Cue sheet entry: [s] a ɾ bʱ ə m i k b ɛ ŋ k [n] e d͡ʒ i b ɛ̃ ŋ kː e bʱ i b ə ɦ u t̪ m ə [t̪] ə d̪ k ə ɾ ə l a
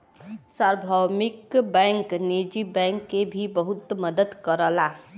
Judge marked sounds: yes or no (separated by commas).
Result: yes, yes, no